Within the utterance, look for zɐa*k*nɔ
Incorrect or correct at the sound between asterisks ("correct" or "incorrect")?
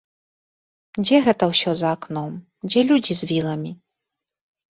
correct